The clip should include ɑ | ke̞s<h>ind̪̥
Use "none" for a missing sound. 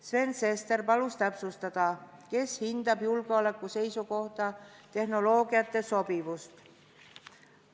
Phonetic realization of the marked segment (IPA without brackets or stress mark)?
h